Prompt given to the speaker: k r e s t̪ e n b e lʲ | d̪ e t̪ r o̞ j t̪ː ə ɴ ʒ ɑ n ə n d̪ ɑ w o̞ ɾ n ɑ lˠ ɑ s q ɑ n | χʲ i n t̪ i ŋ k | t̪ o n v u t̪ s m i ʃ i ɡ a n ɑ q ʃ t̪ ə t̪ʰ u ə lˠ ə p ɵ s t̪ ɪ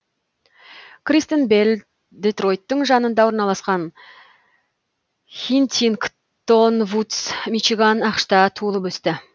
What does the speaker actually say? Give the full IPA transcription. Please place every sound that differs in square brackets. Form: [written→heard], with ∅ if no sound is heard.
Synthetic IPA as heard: k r [e→i] s t̪ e n b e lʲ | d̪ e t̪ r o̞ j t̪ː ə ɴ ʒ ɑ n ə n d̪ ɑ w o̞ ɾ n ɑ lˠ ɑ s q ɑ n | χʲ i n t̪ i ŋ k | t̪ o n v u t̪ s m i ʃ i ɡ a n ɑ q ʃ t̪ [ə→ɑ] t̪ʰ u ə lˠ ə p ɵ s t̪ ɪ